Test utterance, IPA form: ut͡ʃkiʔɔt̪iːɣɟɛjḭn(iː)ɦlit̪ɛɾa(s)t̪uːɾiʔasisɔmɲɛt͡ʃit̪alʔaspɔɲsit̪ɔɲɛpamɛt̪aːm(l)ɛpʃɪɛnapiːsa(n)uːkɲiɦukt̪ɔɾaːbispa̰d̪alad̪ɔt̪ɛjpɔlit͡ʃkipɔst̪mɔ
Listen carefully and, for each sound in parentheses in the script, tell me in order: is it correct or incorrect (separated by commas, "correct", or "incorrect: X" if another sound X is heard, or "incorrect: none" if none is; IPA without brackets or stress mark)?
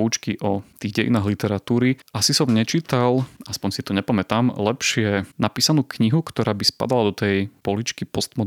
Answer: incorrect: aː, incorrect: none, correct, correct